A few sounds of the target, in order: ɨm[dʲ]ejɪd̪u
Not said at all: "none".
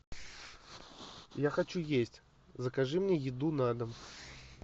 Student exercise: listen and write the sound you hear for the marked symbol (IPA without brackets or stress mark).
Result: nʲ